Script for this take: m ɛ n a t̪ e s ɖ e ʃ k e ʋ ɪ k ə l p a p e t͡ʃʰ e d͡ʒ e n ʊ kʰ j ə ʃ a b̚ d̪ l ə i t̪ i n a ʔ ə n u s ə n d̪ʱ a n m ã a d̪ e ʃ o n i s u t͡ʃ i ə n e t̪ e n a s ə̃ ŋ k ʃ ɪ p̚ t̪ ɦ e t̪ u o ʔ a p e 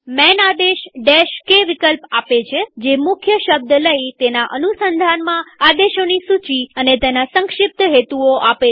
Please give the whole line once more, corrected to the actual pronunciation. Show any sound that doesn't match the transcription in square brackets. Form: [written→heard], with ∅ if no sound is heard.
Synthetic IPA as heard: m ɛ n a [t̪→d̪] e [s→ʃ] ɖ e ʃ k e ʋ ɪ k ə l p a p e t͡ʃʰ e d͡ʒ e [n→m] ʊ kʰ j ə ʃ [a→ə] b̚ d̪ l ə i t̪ [i→e] n a ʔ ə n u s ə n d̪ʱ a n m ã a d̪ e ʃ o n i s u t͡ʃ i ə n e t̪ e n a s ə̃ ŋ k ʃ ɪ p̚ t̪ ɦ e t̪ u o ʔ a p e